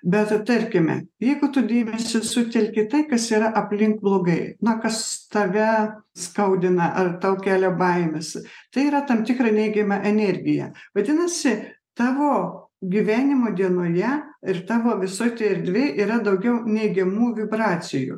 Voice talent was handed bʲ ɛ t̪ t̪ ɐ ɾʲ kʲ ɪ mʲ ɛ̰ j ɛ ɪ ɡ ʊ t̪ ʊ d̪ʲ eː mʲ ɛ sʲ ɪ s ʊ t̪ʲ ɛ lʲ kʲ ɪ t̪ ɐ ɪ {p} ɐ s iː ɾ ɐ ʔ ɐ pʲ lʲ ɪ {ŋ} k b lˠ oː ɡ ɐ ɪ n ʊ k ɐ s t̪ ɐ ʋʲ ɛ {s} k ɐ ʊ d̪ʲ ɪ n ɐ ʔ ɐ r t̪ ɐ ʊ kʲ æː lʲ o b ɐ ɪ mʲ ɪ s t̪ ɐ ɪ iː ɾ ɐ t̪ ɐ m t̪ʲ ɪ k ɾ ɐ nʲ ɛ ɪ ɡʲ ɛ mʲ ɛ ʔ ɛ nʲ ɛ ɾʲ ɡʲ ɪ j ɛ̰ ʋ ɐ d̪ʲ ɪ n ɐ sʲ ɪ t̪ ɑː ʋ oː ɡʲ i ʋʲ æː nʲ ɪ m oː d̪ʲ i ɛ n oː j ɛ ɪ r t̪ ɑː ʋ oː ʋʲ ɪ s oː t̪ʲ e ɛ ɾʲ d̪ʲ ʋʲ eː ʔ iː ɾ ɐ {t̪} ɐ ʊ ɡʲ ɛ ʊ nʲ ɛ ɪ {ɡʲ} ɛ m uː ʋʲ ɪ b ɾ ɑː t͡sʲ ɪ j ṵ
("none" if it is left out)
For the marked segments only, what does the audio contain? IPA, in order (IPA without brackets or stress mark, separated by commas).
k, ŋ, s, d̪, ɡʲ